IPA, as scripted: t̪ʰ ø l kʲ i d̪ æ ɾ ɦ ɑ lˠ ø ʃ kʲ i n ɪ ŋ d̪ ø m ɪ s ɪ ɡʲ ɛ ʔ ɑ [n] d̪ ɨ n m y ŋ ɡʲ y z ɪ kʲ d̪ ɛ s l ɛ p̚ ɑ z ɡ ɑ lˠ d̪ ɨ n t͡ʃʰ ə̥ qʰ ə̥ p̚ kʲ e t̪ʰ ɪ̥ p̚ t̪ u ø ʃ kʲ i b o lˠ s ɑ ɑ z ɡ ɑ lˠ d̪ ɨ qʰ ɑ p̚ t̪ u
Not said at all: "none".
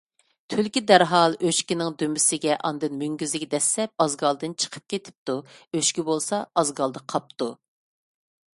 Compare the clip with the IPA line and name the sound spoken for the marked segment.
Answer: n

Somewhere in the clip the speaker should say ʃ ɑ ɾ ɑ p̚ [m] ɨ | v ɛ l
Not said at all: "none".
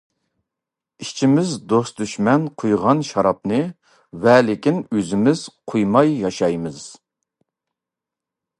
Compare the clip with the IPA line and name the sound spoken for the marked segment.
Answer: n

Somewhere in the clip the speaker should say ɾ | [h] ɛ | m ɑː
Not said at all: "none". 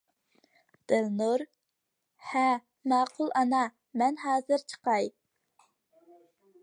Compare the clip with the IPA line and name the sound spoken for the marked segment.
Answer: h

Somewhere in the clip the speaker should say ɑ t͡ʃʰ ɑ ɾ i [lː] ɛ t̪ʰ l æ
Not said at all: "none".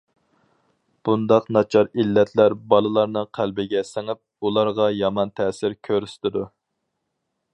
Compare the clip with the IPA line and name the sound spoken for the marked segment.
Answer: lː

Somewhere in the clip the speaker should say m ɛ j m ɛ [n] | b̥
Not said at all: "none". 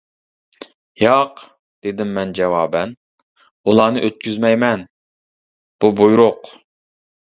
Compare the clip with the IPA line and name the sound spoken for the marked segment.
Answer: n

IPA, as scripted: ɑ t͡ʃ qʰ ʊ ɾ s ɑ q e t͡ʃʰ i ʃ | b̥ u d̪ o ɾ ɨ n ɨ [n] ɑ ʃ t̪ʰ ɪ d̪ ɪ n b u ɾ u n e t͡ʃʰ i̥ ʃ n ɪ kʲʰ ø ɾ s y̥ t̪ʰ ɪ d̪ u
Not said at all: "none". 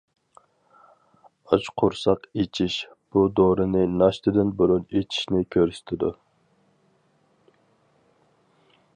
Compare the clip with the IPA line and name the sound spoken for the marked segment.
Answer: n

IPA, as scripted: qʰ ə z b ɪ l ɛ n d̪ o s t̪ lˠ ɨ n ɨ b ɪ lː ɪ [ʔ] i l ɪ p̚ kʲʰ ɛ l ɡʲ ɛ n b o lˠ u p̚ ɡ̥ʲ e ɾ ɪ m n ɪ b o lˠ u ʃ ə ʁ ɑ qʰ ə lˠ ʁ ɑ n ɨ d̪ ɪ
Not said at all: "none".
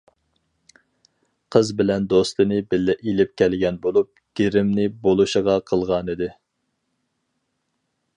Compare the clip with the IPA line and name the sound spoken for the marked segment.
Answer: ʔ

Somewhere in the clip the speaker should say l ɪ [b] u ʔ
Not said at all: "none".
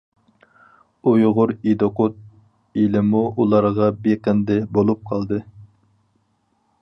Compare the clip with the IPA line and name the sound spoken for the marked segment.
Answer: m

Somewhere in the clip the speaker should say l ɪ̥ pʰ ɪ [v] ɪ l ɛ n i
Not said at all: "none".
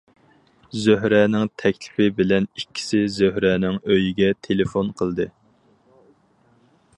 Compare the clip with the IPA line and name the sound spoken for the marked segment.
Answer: b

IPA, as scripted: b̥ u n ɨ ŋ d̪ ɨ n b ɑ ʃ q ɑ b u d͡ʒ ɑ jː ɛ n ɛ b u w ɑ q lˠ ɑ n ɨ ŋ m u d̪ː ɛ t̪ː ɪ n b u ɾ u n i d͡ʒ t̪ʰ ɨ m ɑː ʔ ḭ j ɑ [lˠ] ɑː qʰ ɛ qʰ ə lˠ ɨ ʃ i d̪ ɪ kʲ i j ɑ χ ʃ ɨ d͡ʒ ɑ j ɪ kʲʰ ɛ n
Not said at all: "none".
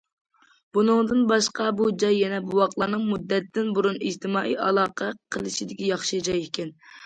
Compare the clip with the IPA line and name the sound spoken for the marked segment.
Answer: lˠ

